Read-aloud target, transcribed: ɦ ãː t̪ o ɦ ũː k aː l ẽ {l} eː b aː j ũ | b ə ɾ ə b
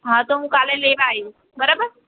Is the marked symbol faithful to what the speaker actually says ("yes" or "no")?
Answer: yes